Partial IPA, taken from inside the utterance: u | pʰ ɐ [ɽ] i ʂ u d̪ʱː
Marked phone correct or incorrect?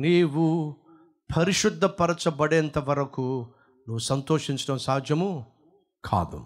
incorrect